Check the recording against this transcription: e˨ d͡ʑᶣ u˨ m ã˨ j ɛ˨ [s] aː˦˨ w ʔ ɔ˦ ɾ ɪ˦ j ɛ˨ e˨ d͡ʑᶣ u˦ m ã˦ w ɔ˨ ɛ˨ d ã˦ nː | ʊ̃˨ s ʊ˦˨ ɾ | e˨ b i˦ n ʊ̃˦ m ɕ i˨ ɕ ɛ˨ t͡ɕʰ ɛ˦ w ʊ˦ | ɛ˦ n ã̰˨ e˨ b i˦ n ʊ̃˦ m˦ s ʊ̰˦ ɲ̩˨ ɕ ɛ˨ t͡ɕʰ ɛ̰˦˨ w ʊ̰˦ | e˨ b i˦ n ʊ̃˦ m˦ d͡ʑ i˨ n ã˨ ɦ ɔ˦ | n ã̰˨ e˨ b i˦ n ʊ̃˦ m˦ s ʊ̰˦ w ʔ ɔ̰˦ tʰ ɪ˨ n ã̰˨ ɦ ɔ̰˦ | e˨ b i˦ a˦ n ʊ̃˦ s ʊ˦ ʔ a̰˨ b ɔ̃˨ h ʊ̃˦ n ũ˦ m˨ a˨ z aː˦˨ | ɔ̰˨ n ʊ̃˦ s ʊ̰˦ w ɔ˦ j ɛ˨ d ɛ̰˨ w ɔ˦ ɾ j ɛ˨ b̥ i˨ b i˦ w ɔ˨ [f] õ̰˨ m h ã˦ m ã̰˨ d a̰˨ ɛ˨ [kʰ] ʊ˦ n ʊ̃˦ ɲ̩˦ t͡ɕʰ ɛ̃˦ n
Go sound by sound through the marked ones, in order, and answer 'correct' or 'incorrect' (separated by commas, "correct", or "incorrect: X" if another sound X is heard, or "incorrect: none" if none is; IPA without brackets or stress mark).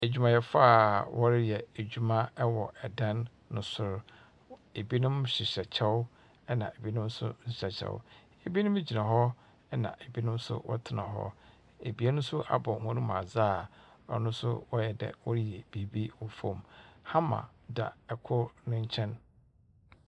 incorrect: f, correct, correct